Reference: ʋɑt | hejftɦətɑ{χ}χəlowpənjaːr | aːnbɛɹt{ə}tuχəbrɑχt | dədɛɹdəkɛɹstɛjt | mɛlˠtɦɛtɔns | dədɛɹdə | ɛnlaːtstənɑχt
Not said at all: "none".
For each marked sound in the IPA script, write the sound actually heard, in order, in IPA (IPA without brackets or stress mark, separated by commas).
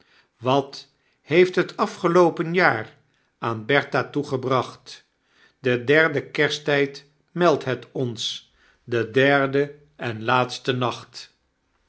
f, a